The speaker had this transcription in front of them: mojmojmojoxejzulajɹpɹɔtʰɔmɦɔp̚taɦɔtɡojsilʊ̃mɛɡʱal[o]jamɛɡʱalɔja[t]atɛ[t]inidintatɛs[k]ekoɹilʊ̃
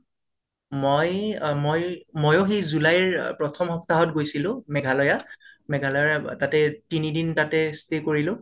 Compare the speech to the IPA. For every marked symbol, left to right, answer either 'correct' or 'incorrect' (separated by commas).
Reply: incorrect, correct, correct, incorrect